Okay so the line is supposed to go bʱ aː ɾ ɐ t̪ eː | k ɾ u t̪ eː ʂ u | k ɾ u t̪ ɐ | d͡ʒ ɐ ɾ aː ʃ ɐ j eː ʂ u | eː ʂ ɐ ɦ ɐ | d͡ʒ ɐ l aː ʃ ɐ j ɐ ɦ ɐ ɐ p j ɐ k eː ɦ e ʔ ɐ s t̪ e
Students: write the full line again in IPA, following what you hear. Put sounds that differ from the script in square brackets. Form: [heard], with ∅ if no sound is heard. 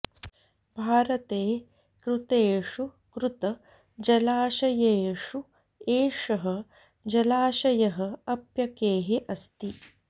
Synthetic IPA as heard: bʱ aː ɾ ɐ t̪ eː | k ɾ u t̪ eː ʂ u | k ɾ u t̪ ɐ | d͡ʒ ɐ [l] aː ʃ ɐ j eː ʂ u | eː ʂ ɐ ɦ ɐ | d͡ʒ ɐ l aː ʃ ɐ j ɐ ɦ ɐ ɐ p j ɐ k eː ɦ e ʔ ɐ s t̪ [i]